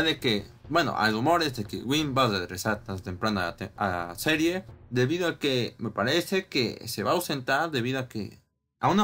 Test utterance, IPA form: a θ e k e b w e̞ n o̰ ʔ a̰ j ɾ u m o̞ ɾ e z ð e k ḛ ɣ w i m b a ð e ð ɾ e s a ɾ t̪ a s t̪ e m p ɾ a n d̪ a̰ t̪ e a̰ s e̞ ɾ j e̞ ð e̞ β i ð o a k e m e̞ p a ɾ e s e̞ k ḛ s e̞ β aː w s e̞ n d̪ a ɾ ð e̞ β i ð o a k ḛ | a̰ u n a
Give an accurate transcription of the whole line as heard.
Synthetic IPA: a ð e k e b w e̞ n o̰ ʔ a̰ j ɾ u m o̞ ɾ e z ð e k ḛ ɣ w i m b a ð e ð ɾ e s a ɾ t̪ a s t̪ e m p ɾ a n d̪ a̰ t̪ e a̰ s e̞ ɾ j e̞ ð e̞ β i ð o a k e m e̞ p a ɾ e s e̞ k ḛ s e̞ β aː w s e̞ n t̪ a ɾ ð e̞ β i ð o a k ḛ | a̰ u n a